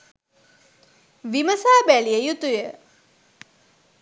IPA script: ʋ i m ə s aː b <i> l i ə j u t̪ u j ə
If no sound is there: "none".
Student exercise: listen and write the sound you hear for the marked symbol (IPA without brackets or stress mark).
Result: æ